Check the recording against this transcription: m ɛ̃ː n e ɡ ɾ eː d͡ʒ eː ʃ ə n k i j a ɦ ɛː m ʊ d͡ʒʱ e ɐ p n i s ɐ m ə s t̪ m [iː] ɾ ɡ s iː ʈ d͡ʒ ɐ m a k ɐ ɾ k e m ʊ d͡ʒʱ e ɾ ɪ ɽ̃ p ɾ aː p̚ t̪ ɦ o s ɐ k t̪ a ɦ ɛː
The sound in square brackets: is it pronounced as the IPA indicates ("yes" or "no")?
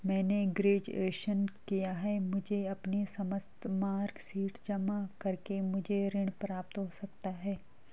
no